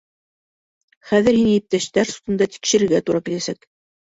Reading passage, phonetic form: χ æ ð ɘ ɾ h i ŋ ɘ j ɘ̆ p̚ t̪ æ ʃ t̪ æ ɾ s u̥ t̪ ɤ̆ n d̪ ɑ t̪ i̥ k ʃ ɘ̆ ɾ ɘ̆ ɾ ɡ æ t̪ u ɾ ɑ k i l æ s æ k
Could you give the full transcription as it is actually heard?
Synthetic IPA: χ æ ð ɘ ɾ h i n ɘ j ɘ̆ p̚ t̪ æ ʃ t̪ æ ɾ s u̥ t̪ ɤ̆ n d̪ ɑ t̪ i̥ k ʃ ɘ̆ ɾ ɘ̆ ɾ ɡ æ t̪ u ɾ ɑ k i l æ s æ k